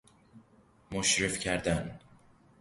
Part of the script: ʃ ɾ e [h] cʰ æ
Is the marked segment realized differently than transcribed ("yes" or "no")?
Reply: yes